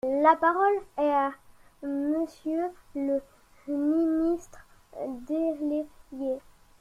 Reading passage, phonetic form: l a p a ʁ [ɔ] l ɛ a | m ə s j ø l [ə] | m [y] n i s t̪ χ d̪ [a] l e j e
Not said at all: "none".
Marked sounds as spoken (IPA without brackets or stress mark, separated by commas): ɔ, ə, i, e